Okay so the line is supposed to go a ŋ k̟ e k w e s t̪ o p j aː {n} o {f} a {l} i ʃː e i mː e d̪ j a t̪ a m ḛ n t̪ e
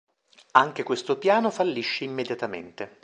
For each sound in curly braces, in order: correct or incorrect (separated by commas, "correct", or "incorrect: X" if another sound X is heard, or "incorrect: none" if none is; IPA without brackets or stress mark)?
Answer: correct, correct, incorrect: lː